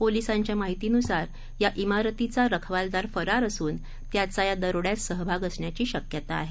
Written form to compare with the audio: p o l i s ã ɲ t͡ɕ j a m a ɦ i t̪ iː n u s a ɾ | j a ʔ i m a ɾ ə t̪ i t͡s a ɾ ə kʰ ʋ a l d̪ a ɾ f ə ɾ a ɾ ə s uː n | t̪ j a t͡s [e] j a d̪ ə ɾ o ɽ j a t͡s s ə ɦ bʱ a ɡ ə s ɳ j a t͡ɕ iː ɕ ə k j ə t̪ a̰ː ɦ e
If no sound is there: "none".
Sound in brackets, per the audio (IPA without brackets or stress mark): a